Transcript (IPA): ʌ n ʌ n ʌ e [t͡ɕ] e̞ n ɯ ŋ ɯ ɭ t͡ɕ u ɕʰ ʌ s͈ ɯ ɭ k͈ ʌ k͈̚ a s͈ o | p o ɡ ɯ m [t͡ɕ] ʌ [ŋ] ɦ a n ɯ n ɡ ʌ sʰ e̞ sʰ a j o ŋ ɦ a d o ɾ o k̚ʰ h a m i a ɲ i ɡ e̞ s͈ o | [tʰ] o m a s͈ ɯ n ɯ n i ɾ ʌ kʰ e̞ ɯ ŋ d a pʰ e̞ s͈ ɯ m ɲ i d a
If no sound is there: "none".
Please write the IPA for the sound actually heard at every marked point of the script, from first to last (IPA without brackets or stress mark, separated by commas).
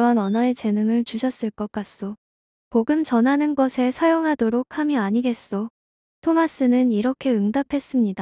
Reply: t͡ɕ, t͡ɕ, n, tʰ